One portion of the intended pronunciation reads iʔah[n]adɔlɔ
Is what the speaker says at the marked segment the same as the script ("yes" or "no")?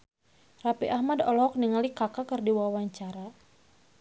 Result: no